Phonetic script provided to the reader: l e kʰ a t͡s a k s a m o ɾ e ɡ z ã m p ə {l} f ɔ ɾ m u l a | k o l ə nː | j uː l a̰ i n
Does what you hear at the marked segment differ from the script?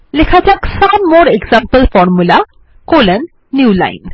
no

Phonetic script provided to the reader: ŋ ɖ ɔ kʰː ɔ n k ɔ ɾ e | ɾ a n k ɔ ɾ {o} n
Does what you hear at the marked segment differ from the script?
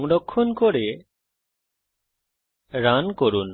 yes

